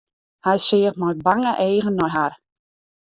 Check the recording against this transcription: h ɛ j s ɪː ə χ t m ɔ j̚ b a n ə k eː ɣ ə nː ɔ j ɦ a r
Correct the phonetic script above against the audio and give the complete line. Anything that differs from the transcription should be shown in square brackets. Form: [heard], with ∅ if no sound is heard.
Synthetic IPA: h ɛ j s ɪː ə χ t m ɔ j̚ b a [ŋ] ə [ʔ] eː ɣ ə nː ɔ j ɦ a r